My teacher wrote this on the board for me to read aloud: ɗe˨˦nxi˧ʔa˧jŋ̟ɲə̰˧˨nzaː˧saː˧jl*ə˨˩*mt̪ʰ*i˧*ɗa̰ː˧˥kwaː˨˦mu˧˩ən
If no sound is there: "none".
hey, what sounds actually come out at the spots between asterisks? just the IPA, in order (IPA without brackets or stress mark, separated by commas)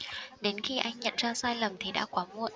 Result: ə˨˩, i˨˩